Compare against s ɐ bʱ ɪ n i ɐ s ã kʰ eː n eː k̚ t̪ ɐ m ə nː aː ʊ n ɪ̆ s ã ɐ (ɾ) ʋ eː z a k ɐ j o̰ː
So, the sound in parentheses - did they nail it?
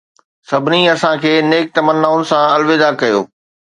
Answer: no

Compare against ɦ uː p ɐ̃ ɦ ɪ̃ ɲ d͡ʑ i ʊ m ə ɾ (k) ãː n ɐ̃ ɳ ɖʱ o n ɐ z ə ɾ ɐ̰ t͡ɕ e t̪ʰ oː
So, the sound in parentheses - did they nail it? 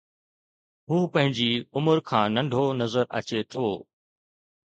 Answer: no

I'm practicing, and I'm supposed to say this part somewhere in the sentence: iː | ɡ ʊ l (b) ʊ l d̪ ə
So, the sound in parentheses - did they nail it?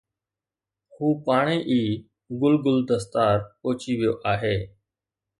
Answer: no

